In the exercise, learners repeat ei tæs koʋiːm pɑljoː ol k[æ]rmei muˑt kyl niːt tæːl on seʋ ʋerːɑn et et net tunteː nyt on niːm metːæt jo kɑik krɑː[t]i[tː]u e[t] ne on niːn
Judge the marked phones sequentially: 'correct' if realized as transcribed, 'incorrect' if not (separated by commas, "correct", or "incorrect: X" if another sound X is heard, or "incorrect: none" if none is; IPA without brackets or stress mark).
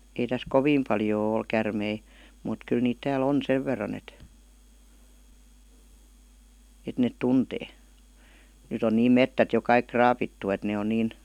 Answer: correct, incorrect: p, correct, correct